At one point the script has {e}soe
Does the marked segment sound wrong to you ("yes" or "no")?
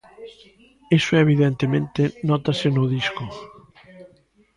no